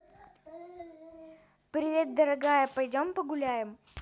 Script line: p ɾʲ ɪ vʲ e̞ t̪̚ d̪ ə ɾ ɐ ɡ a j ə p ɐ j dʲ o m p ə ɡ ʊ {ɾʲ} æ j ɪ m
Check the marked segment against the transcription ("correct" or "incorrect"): incorrect